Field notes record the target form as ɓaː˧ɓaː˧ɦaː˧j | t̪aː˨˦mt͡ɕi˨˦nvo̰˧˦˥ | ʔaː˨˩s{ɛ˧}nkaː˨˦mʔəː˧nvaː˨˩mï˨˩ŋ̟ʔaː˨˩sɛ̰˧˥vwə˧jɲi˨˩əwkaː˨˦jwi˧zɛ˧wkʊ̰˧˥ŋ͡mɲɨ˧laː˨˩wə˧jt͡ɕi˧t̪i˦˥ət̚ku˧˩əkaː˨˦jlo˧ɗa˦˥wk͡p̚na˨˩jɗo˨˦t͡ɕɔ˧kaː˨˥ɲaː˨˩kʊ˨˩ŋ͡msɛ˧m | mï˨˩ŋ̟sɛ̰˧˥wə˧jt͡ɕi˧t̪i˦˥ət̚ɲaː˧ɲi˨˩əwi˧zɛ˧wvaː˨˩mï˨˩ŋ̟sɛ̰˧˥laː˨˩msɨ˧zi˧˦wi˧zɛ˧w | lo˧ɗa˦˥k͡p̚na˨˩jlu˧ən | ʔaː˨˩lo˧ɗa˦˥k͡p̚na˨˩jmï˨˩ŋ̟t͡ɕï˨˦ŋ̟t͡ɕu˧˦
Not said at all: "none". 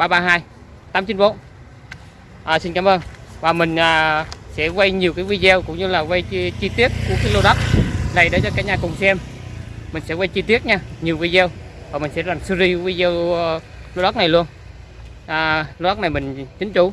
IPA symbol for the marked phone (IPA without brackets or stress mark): i˧